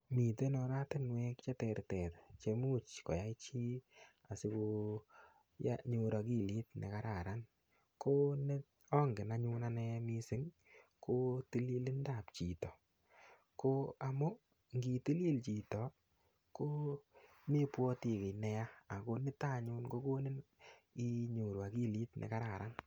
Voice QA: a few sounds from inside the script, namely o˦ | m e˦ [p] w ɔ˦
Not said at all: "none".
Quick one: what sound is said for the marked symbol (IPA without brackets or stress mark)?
p